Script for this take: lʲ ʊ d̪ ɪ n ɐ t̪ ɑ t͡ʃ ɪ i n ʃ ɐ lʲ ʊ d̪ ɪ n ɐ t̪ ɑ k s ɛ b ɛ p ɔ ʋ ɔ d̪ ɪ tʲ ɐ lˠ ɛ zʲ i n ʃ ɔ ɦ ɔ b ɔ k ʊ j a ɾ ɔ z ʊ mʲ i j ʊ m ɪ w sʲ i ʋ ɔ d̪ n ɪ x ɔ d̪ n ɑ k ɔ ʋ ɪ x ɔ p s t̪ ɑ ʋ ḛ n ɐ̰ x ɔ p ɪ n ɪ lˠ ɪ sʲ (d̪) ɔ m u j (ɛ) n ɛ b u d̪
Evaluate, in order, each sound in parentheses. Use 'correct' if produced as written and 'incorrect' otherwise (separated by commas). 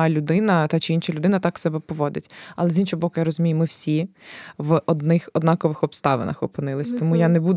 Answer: incorrect, incorrect